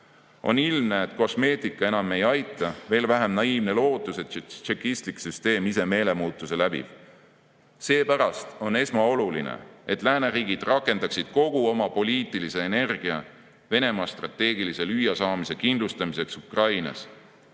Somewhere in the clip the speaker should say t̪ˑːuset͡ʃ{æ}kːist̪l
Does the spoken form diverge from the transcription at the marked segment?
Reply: yes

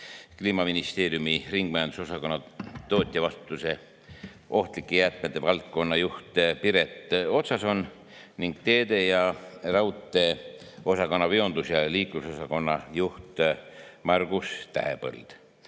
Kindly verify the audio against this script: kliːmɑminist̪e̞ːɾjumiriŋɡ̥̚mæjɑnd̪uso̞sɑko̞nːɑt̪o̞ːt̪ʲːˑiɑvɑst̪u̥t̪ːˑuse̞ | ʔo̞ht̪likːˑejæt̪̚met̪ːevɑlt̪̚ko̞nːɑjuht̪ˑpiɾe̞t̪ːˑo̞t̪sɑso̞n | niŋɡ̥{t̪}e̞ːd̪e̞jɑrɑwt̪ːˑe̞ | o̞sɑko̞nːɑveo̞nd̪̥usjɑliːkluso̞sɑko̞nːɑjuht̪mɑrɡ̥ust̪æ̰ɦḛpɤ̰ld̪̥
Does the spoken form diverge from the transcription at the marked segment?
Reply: no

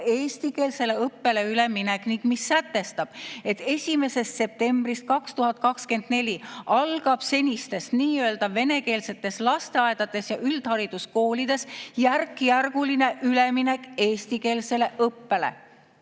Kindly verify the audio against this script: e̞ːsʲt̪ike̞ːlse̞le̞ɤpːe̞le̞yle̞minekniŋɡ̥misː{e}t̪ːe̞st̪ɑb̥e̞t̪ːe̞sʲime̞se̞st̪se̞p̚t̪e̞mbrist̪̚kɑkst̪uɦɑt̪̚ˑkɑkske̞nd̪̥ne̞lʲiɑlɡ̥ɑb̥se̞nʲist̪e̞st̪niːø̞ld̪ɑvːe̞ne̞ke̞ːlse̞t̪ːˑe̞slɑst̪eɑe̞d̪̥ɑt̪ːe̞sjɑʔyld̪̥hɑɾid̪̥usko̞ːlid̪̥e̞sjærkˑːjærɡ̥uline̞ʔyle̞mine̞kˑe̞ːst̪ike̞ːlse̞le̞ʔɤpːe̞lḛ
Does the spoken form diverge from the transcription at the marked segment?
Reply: yes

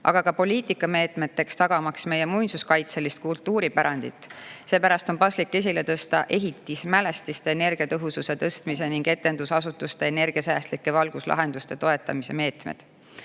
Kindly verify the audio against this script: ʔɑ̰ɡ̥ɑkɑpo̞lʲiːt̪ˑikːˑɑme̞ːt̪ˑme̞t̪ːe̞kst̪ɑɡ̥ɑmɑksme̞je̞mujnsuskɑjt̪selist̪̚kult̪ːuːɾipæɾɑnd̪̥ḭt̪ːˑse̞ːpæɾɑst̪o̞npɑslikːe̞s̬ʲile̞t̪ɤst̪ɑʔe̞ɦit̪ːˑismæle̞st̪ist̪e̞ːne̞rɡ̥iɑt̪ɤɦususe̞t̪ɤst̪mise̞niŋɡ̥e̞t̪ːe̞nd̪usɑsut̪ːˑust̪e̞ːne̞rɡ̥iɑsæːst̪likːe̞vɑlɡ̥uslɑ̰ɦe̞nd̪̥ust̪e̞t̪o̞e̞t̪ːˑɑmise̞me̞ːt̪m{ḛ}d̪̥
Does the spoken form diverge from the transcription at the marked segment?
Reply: no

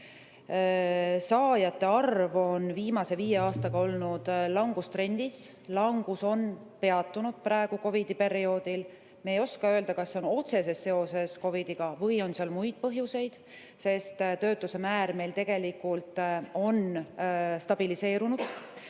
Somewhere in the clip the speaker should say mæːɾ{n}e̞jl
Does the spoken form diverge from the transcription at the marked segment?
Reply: yes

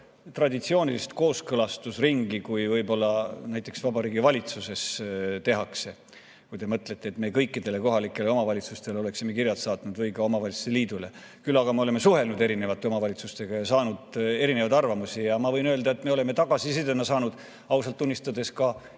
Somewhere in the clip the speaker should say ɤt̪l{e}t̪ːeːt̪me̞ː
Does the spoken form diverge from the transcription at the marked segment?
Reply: no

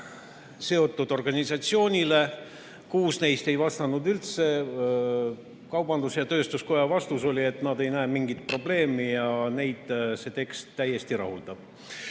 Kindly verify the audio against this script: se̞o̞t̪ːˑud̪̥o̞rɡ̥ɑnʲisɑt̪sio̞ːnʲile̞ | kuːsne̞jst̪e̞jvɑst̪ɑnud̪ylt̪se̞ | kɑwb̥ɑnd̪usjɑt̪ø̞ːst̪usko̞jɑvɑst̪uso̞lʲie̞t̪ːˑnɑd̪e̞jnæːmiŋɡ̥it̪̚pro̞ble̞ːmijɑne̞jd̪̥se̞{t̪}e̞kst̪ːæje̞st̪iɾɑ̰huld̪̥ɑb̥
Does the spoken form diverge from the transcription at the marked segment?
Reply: no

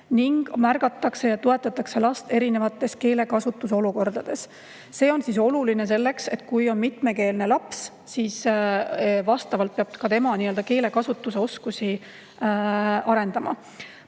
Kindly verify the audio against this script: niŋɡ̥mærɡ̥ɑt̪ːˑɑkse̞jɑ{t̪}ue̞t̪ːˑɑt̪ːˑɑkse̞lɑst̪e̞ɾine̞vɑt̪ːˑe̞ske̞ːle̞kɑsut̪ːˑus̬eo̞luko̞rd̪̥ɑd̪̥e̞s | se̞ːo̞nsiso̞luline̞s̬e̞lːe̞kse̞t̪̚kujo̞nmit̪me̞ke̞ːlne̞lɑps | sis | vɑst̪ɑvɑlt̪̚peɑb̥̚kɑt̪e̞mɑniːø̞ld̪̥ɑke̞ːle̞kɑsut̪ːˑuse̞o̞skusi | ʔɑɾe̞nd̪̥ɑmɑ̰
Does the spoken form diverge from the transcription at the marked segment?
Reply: no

